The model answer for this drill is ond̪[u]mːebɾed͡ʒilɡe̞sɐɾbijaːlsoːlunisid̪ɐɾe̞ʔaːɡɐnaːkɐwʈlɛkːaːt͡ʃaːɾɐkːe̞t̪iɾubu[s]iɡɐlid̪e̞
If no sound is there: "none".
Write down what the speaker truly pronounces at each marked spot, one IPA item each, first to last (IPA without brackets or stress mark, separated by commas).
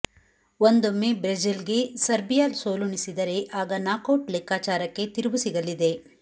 o, s